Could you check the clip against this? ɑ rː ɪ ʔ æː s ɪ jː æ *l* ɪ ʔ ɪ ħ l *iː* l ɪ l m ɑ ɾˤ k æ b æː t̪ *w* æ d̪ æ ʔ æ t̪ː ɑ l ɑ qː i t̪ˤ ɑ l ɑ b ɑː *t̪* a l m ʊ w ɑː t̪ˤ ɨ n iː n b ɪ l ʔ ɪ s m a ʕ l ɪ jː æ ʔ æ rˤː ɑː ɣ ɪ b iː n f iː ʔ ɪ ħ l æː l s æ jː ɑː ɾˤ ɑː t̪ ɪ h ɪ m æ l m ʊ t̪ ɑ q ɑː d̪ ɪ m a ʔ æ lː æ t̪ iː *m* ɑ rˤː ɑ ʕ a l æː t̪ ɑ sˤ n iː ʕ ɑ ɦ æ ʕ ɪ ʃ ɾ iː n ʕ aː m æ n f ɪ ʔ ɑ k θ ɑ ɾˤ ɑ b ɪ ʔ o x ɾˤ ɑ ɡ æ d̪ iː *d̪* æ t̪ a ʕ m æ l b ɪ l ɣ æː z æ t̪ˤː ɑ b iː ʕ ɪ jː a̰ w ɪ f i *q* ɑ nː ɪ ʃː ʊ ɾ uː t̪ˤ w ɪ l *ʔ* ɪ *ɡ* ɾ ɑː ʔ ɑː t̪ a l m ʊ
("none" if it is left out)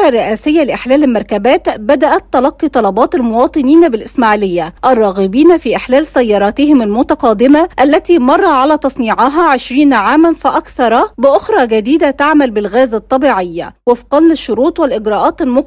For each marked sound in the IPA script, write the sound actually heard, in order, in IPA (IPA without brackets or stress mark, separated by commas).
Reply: l, æː, b, t̪, m, d̪, q, ʔ, ɡ